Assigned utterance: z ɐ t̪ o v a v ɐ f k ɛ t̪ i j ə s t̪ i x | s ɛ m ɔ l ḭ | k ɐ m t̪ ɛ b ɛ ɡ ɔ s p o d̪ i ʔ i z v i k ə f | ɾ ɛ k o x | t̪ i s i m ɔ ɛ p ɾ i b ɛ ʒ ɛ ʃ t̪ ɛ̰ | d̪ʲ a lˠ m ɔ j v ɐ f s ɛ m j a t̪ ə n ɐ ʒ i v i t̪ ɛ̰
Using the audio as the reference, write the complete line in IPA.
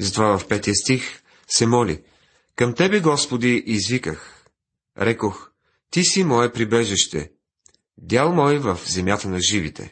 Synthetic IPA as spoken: z ɐ t̪ o v a v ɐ f p ɛ t̪ i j ə s t̪ i x | s ɛ m ɔ l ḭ | k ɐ m t̪ ɛ b ɛ ɡ ɔ s p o d̪ i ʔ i z v i k ə x | ɾ ɛ k o x | t̪ i s i m ɔ ɛ p ɾ i b ɛ ʒ ɛ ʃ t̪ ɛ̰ | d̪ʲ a lˠ m ɔ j v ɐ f z ɛ m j a t̪ ə n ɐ ʒ i v i t̪ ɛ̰